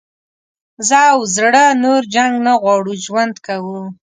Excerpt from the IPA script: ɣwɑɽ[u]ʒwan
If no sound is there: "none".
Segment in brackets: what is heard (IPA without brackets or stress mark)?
u